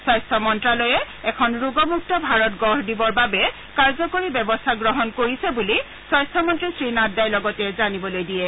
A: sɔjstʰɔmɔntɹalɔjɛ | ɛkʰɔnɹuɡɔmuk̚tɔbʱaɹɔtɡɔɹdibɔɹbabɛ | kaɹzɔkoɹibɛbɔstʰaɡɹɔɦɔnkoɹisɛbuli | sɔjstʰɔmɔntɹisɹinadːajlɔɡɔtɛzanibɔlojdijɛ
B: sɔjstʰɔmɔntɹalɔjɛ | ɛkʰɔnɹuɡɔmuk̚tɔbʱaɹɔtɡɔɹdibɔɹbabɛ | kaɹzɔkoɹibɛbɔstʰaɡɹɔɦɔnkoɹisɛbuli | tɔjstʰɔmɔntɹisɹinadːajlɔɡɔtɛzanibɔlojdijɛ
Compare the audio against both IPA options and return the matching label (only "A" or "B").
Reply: A